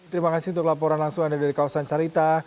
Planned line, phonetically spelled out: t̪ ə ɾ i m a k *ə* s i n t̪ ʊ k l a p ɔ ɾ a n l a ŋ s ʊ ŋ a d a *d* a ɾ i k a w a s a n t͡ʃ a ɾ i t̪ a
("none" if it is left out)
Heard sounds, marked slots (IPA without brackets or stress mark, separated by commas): a, d